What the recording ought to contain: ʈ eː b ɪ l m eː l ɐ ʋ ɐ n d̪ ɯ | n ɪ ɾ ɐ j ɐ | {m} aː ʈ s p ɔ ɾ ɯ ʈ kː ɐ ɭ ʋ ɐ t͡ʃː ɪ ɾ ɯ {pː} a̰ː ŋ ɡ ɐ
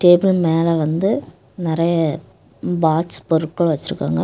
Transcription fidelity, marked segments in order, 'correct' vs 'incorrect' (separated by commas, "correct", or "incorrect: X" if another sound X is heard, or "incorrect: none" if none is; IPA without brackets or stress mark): incorrect: b, incorrect: kː